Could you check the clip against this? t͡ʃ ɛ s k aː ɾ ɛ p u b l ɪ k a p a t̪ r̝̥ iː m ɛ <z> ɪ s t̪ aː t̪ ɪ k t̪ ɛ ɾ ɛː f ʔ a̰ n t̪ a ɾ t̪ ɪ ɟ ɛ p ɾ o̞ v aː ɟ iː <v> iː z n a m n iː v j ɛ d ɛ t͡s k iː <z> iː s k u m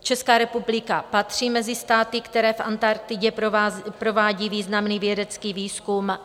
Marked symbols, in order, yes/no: yes, yes, no

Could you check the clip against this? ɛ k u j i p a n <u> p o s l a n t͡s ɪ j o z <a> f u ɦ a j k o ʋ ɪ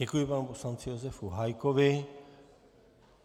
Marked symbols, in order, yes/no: yes, no

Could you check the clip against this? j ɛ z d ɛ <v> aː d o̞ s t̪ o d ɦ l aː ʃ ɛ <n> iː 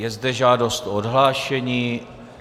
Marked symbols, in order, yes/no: no, no

